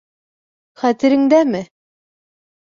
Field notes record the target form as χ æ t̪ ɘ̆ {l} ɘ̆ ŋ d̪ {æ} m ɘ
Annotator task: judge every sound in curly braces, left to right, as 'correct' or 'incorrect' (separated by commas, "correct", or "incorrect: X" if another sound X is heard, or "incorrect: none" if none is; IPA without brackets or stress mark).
incorrect: ɾ, correct